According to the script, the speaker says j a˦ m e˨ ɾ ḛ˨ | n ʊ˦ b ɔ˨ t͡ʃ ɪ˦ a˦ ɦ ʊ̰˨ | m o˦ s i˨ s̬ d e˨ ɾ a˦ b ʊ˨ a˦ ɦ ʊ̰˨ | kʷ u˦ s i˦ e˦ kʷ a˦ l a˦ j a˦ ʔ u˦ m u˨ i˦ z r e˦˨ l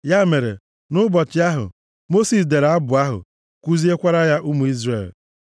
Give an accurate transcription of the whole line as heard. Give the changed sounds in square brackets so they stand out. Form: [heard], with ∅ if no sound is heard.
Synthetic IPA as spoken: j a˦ m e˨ ɾ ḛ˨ | n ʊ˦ b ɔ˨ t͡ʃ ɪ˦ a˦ ɦ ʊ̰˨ | m o˦ s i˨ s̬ d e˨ ɾ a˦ b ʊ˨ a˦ ɦ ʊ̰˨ | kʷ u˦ [z] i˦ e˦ kʷ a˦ [ɾ] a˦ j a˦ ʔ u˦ m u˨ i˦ z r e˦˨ l